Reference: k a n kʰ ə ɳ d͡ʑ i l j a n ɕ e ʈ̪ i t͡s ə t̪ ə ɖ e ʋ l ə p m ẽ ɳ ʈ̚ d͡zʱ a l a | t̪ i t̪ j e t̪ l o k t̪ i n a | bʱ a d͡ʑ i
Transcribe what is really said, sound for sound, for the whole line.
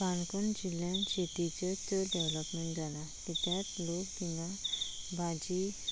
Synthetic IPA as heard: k a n k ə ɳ d͡ʑ i l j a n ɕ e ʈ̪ i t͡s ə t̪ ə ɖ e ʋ l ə p m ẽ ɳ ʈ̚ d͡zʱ a l a | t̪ i t̪ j a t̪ l o k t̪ i n a | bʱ a d͡ʑ i